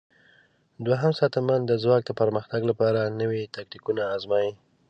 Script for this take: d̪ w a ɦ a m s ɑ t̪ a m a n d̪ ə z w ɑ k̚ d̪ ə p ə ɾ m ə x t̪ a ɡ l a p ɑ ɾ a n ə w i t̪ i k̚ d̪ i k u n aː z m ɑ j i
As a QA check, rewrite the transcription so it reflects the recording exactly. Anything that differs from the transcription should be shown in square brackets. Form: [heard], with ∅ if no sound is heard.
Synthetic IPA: d̪ w a ɦ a m s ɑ t̪ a m a n d̪ ə z w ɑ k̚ d̪ ə p ə ɾ m ə x t̪ a ɡ l a p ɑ ɾ a n ə w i t̪ [a] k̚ [t̪] i k u n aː z m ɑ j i